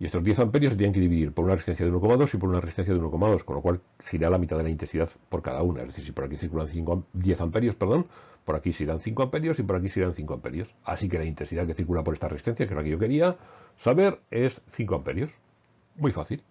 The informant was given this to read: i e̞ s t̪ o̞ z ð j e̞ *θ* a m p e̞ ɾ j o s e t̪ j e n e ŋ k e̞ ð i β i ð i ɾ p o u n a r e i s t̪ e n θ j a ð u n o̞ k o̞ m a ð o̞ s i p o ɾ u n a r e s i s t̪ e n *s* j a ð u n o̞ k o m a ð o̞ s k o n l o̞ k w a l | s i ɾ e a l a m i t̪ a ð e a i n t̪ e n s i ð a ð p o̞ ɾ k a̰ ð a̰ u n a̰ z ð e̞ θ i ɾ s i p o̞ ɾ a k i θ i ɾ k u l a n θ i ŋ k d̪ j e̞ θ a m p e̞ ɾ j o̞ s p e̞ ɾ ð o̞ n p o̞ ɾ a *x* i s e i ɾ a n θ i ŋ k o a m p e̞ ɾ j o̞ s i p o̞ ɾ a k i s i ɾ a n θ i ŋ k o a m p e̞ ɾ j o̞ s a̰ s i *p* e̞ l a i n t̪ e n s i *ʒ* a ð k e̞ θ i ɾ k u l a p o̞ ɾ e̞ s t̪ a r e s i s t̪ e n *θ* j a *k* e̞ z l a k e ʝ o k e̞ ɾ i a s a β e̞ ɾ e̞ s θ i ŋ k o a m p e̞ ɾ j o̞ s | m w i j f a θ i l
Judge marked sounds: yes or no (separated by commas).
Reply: yes, no, no, no, no, yes, yes